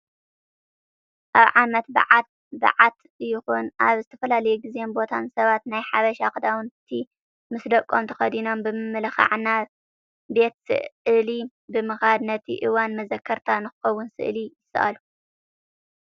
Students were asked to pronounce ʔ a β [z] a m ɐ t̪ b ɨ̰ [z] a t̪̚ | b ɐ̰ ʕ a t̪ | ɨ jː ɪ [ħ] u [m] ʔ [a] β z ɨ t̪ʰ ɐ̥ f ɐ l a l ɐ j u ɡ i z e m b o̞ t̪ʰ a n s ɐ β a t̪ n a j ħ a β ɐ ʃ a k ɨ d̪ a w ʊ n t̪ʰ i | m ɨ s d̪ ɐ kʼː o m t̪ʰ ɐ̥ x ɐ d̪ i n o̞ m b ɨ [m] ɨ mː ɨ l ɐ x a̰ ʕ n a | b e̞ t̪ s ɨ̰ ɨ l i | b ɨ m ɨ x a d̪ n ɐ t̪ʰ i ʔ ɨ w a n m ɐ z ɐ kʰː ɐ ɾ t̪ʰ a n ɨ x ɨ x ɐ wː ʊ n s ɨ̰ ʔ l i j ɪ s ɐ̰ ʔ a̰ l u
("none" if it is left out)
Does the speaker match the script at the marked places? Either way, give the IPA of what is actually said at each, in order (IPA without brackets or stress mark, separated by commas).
ʕ, ʕ, x, n, a, m